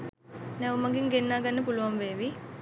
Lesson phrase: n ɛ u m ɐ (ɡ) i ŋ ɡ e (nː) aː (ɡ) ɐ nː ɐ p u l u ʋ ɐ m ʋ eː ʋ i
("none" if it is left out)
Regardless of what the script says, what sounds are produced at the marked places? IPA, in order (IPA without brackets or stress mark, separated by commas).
ɡ, nː, ɡ